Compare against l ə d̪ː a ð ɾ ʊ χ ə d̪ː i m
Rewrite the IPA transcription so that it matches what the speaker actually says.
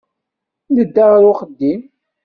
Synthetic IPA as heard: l ə d̪ː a ʁ ɾ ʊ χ ə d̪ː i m